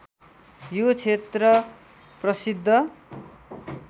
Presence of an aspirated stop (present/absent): present